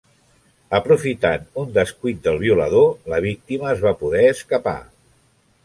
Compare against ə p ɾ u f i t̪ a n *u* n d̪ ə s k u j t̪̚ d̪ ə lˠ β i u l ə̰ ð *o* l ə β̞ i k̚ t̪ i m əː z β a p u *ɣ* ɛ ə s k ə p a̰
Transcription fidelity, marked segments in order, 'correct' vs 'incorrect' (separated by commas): correct, correct, incorrect